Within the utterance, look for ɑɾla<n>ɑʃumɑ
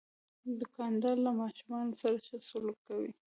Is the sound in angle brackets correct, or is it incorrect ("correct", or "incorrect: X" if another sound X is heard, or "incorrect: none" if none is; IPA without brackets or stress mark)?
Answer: incorrect: m